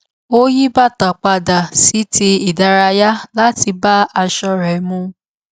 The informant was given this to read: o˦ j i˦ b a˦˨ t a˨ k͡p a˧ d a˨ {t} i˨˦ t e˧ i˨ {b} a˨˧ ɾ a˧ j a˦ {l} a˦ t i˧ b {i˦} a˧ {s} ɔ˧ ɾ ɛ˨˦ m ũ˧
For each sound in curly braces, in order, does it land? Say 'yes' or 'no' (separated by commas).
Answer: no, no, yes, no, no